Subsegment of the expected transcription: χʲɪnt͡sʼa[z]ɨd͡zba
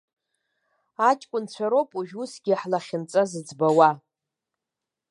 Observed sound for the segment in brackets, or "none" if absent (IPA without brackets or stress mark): z